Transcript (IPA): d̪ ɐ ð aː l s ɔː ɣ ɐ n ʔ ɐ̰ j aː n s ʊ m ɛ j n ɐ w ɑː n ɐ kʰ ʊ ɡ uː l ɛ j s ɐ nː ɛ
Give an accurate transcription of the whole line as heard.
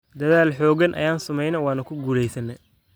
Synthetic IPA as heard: d̪ ɐ ð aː l ħ ɔː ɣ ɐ n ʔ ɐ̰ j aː n s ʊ m ɛ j n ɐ w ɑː n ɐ kʰ ʊ ɡ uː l ɛ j s ɐ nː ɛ